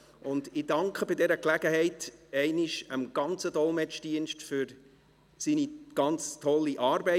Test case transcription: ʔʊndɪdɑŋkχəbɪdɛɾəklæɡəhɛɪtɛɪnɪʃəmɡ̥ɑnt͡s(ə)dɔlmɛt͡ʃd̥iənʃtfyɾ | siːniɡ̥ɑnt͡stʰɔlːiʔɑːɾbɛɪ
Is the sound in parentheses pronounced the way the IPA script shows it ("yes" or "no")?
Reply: yes